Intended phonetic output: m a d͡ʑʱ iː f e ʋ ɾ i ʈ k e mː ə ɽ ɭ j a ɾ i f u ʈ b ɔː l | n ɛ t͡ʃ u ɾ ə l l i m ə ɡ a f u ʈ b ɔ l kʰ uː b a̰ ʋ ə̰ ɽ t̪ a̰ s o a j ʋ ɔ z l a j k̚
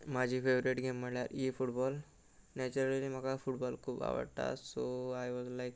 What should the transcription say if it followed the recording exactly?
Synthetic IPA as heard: m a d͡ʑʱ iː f e ʋ ɾ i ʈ ɡ e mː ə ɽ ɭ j a ɾ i f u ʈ b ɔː l | n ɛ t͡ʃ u ɾ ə l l i m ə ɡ a f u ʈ b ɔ l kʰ uː b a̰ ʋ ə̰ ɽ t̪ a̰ s o a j ʋ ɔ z l a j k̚